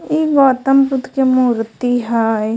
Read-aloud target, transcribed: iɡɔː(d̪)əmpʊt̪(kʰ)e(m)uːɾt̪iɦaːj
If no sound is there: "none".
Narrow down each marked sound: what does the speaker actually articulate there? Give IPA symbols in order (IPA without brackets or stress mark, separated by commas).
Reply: t̪, k, m